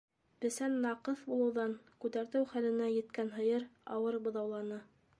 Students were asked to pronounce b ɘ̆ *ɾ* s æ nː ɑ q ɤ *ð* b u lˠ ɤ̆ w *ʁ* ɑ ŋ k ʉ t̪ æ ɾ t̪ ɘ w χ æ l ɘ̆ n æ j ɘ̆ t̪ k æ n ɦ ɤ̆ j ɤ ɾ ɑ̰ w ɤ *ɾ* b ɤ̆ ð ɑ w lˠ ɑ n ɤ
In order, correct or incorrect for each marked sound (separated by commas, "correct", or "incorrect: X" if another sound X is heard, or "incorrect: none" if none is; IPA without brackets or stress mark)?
incorrect: none, incorrect: θ, incorrect: ð, correct